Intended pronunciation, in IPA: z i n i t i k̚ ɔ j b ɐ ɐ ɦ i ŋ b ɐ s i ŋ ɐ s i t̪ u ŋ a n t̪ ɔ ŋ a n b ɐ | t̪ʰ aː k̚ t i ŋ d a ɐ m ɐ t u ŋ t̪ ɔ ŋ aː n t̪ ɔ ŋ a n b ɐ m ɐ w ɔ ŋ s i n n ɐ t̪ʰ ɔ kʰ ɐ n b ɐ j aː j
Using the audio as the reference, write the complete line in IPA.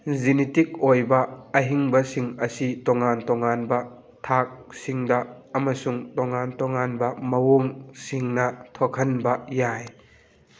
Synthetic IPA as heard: z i n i t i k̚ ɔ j b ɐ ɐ ɦ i ŋ b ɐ s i ŋ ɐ s i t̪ ɔ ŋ a n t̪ ɔ ŋ a n b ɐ | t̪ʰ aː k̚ s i ŋ d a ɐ m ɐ s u ŋ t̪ ɔ ŋ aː n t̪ ɔ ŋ a n b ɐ m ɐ w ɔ ŋ s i ŋ n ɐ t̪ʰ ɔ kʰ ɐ n b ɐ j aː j

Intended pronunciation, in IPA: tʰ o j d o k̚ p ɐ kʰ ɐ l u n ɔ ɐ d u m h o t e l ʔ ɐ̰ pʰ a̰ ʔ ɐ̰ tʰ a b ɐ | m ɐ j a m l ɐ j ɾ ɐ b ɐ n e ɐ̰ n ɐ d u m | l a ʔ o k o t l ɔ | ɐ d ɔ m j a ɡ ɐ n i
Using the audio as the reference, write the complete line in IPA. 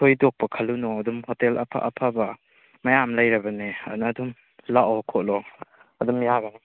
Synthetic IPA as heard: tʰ o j d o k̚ p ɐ kʰ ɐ l u n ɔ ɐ d u m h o t e l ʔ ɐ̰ pʰ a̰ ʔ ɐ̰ pʰ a b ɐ | m ɐ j a m l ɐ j ɾ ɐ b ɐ n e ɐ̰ n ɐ d u m | l a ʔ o kʰ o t l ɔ | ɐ d u m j a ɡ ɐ n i

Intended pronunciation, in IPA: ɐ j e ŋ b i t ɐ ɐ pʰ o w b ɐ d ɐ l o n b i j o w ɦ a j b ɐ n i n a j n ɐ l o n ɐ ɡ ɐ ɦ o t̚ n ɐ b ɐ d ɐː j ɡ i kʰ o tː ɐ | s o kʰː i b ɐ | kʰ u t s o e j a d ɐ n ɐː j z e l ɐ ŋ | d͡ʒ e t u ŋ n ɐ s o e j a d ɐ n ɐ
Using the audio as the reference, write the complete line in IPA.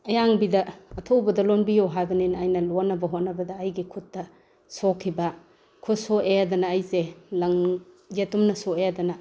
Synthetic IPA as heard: ɐ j a ŋ b i d ɐ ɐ tʰ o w b ɐ d ɐ l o n b i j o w ɦ a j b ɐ n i n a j n ɐ l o n ɐ b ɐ ɦ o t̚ n ɐ b ɐ d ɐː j ɡ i kʰ u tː ɐ | s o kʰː i b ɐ | kʰ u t s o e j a d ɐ n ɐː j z e l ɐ ŋ | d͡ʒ e t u m n ɐ s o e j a d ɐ n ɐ

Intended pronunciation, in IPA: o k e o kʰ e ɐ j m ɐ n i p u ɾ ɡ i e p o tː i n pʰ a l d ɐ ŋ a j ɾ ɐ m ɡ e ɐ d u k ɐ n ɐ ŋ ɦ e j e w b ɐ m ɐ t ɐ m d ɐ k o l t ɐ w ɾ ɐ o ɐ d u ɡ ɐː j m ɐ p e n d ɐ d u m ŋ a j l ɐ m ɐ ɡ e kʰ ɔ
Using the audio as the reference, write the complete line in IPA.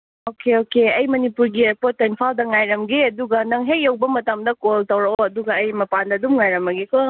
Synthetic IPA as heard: o k e o k e ɐ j m ɐ n i p u ɾ ɡ i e p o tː i n pʰ a l d ɐ ŋ a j ɾ ɐ m ɡ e ɐ d u ɡ ɐ n ɐ ŋ ɦ e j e w b ɐ m ɐ t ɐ m d ɐ k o l t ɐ w ɾ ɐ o ɐ d u ɡ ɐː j m ɐ p a n d ɐ d u m ŋ a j ɾ ɐ m ɐ ɡ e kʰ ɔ

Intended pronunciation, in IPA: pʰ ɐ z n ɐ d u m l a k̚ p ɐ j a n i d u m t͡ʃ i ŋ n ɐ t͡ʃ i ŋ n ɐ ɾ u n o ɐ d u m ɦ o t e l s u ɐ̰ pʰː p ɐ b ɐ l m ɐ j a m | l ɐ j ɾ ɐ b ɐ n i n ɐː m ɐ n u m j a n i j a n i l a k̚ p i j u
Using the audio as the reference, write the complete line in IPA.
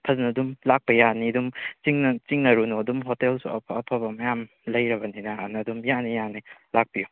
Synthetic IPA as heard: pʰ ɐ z n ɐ d u m l a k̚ p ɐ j a n i d u m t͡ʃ i ŋ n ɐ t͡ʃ i ŋ n ɐ ɾ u n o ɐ d u m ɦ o t e l s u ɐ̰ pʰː pʰ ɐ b ɐ m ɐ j a m | l ɐ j ɾ ɐ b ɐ n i n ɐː n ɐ d u m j a n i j a n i l a k̚ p i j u

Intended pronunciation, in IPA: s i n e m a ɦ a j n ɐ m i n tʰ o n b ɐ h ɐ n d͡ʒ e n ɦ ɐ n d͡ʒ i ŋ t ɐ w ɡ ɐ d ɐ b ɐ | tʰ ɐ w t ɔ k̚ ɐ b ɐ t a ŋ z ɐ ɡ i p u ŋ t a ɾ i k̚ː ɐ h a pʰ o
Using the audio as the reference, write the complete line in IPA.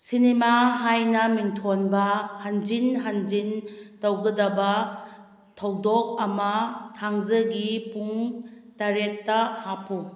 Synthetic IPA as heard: s i n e m a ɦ a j n ɐ m i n tʰ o n b ɐ h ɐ n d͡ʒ i n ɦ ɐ n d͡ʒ i n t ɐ w ɡ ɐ d ɐ b ɐ | tʰ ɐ w d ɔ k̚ ɐ m ɐ tʰ a ŋ z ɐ ɡ i p u ŋ t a ɾ e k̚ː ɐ h a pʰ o

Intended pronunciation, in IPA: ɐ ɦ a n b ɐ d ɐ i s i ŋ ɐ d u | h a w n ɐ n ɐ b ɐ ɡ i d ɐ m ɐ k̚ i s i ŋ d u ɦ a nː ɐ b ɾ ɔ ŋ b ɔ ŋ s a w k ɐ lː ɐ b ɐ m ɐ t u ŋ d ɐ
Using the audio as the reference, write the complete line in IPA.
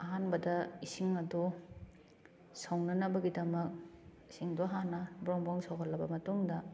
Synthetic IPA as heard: ɐ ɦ a n b ɐ d ɐ i s i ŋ ɐ d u | s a w n ɐ n ɐ b ɐ ɡ i d ɐ m ɐ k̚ i s i ŋ d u ɦ a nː ɐ b ɾ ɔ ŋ b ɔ ŋ s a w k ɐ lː ɐ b ɐ m ɐ t u ŋ d ɐ

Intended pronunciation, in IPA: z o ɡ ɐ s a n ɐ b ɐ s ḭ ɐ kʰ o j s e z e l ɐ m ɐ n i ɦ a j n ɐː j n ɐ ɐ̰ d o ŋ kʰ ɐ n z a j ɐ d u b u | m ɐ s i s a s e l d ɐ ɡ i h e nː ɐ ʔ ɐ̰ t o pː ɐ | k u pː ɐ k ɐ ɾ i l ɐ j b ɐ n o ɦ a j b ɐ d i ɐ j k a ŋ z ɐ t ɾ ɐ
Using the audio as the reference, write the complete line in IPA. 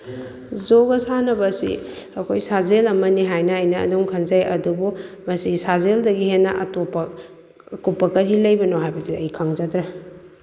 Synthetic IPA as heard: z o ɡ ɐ s a n ɐ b ɐ s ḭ ɐ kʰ o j s a z e l ɐ m ɐ n i ɦ a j n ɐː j n ɐ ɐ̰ d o ŋ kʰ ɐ n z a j ɐ d u b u | m ɐ s i s a z e l d ɐ ɡ i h e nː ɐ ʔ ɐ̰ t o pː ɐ | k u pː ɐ k ɐ ɾ i l ɐ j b ɐ n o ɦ a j b ɐ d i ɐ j kʰ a ŋ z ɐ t ɾ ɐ

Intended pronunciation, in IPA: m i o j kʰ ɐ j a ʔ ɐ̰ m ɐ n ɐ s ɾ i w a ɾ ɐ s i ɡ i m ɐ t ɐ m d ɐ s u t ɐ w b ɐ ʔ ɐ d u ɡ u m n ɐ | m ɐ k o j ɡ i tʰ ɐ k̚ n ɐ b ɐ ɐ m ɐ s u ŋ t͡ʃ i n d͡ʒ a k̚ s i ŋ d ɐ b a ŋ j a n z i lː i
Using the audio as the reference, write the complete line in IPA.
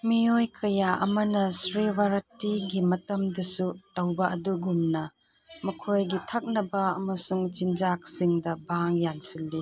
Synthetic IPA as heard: m i o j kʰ ɐ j a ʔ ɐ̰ m ɐ n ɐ s ɾ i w a ɾ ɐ t i ɡ i m ɐ t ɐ m d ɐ s u t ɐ w b ɐ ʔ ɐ d u ɡ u m n ɐ | m ɐ kʰ o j ɡ i tʰ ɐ k̚ n ɐ b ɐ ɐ m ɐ s u ŋ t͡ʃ i n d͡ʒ a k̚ s i ŋ d ɐ b a ŋ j a n s i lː i

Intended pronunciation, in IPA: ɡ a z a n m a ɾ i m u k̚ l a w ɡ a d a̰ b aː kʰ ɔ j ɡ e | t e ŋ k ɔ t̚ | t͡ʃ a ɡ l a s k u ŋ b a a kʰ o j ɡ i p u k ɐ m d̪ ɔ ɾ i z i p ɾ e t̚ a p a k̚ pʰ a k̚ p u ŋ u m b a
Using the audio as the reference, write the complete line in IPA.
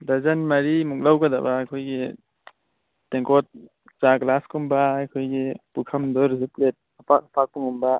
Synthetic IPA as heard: d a z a n m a ɾ i m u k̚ l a w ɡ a d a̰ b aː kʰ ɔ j ɡ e | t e ŋ k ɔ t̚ | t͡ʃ a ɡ l a s k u m b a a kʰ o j ɡ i p u kʰ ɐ m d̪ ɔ ɾ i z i p l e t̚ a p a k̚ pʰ a k̚ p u ŋ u m b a

